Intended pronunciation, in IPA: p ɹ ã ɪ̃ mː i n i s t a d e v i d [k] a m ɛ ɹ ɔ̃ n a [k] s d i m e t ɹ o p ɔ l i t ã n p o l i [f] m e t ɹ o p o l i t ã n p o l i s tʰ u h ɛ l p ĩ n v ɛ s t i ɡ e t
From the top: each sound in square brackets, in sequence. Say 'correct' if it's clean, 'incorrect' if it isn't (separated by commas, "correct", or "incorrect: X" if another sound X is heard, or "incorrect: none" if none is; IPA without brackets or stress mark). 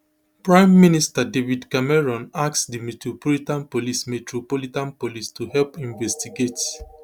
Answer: correct, correct, incorrect: s